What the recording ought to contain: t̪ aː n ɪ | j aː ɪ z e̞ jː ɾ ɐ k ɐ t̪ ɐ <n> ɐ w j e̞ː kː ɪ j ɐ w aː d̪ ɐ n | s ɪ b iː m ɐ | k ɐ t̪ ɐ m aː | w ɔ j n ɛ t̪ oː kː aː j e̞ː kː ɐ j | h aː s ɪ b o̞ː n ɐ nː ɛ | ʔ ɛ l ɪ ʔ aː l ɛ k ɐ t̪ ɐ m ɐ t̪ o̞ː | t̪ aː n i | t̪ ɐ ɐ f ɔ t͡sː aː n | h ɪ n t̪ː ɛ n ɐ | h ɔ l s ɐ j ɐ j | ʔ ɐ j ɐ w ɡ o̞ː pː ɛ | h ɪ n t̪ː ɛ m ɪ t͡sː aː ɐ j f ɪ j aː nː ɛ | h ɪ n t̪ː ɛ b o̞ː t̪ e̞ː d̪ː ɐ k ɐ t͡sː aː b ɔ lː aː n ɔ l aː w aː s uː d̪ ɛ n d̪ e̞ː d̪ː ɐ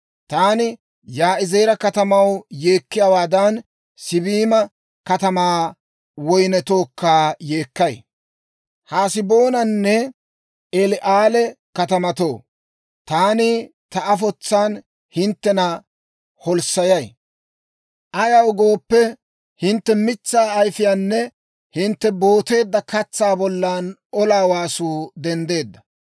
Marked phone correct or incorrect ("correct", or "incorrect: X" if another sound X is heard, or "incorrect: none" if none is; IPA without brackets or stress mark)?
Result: incorrect: m